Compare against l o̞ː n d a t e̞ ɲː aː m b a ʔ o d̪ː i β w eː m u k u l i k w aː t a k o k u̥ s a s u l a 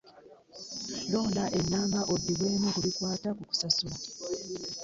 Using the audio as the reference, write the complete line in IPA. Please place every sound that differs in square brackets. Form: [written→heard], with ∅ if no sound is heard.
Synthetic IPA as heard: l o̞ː n d a [t→ʔ] e̞ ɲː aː m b a ʔ o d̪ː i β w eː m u k u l i k w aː t a k [o→u] k u̥ s a s u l a